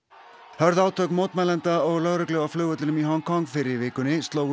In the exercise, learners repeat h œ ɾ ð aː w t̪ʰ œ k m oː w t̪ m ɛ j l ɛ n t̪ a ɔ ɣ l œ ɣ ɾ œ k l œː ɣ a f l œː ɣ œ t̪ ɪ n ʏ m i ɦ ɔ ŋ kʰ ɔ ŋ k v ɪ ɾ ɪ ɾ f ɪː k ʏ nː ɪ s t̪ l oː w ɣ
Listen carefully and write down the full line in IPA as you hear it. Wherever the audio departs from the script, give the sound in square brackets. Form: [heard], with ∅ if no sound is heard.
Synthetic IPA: h œ ɾ ð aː w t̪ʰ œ k m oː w t̪ m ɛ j l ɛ n t̪ a ɔ ɣ l œ ɣ ɾ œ k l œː ɣ a f l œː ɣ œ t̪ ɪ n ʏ m i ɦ ɔ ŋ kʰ ɔ ŋ k [f] ɪ ɾ ɪ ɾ [v] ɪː k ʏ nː ɪ s t̪ l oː w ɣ